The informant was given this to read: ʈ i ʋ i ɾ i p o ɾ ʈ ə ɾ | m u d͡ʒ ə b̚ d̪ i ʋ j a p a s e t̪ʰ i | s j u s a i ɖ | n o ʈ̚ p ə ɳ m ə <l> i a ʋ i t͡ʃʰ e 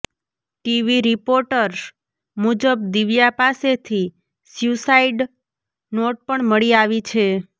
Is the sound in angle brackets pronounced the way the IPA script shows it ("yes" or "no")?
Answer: no